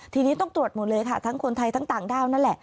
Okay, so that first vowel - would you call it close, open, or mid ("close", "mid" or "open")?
close